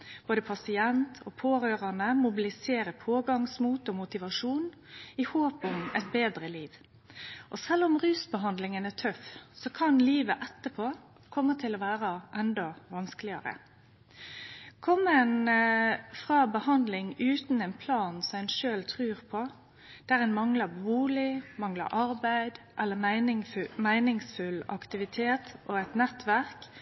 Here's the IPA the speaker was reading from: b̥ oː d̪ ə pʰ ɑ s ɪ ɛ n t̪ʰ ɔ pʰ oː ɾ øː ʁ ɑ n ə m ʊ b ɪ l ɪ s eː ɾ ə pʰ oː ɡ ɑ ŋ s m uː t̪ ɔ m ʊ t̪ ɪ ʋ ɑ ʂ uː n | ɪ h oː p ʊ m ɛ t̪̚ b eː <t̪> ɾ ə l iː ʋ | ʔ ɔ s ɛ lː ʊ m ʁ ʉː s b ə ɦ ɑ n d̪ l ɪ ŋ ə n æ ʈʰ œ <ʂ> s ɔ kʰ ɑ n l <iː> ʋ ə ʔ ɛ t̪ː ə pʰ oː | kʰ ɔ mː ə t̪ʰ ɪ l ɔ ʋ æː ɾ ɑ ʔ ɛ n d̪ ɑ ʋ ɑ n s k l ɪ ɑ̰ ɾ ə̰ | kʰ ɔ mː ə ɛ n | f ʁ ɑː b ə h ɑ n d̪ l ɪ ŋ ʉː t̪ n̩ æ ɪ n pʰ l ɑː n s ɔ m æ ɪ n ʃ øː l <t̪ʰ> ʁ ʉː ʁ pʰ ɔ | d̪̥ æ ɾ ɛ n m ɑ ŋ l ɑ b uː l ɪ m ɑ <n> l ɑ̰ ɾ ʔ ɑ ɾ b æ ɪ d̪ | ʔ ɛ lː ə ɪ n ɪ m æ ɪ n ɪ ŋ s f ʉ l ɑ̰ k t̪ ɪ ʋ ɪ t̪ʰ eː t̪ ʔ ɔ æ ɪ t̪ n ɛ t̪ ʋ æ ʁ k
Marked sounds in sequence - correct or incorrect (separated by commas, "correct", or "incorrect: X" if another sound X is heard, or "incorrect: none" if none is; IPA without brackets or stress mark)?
incorrect: d̪, incorrect: f, correct, correct, incorrect: ŋ